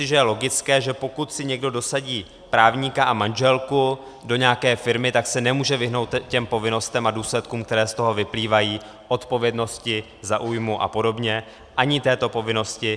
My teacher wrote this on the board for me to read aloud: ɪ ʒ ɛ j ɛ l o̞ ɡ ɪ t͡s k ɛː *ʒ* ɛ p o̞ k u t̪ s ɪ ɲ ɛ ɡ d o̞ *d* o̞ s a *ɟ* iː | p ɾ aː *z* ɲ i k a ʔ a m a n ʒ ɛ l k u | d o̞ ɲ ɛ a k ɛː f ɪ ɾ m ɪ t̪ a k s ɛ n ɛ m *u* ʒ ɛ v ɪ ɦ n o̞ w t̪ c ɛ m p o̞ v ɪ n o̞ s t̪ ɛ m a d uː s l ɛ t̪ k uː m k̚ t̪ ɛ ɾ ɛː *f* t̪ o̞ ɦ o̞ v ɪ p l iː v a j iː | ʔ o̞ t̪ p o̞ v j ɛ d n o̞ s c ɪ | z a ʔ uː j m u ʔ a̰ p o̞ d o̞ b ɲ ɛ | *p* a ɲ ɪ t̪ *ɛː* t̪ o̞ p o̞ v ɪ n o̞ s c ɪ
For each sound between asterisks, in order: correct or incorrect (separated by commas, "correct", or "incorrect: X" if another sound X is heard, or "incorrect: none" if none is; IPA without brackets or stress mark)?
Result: correct, correct, correct, incorrect: v, incorrect: uː, incorrect: s, incorrect: ʔ, correct